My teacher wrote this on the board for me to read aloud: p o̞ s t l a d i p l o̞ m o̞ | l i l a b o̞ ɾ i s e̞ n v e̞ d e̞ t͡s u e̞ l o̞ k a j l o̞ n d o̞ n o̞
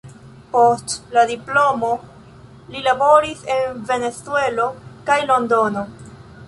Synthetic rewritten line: p o̞ s t l a d i p l o̞ m o̞ | l i l a b o̞ ɾ i s e̞ n v e̞ n e̞ t͡s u e̞ l o̞ k a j l o̞ n d o̞ n o̞